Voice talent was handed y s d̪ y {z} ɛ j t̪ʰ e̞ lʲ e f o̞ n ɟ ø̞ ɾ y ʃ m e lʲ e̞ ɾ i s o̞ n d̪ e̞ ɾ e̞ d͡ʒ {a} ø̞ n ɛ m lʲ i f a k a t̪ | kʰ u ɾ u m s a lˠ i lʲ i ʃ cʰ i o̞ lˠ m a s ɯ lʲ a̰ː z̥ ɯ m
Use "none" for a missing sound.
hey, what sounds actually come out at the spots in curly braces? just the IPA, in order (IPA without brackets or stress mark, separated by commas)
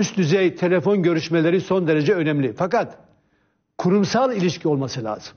z, ɛ